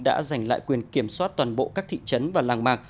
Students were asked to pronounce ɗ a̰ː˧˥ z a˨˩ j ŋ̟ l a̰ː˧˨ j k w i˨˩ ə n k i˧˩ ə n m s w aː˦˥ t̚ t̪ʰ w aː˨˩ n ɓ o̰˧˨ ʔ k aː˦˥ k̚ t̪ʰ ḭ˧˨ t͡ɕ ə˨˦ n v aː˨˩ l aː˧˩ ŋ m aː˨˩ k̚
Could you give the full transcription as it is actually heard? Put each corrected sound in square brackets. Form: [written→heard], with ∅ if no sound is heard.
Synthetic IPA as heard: ɗ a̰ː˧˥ z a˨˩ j ŋ̟ l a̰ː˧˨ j k w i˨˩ ə n k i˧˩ ə [n→∅] m s w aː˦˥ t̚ [t̪ʰ→t̪] w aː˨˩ n ɓ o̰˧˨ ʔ k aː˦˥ k̚ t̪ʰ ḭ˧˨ t͡ɕ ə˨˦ n v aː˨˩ l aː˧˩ ŋ m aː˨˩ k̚